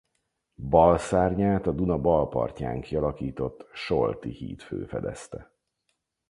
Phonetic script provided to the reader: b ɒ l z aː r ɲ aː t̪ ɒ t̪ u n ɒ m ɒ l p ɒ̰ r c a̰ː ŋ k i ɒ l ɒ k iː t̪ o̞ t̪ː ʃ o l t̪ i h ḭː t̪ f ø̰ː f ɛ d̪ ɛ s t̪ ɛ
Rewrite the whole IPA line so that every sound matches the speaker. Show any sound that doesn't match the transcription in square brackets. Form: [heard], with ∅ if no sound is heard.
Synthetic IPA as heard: b ɒ l [s] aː r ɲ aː t̪ ɒ [d̪] u n ɒ [b] ɒ l p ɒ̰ r c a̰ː ŋ k i ɒ l ɒ k iː t̪ o̞ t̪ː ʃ o l t̪ i h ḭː t̪ f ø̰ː f ɛ d̪ ɛ s t̪ ɛ